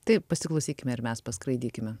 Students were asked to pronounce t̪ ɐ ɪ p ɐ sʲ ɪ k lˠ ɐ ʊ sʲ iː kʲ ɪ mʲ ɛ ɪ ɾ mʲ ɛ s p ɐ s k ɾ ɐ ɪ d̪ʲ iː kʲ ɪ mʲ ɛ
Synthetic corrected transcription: t̪ ɐ ɪ p ɐ sʲ ɪ k lˠ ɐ ʊ sʲ iː kʲ ɪ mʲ ɛ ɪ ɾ mʲ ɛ s p ɐ s k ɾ ɐ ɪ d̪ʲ iː kʲ ɪ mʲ ɛ